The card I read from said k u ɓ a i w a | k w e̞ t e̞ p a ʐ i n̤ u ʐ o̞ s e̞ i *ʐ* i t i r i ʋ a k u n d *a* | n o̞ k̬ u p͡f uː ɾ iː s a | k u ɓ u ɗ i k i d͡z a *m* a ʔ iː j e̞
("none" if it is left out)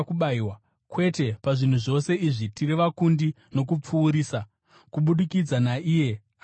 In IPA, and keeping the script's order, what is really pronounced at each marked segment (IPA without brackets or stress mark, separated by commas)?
ʐ, i, n